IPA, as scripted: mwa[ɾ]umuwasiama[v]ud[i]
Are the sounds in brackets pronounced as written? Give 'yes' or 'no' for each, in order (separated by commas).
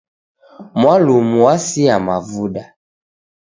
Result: no, yes, no